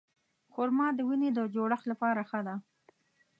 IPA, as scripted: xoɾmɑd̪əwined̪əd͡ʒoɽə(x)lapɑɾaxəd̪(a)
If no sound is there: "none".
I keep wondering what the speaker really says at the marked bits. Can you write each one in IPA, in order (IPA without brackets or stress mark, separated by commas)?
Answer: x, a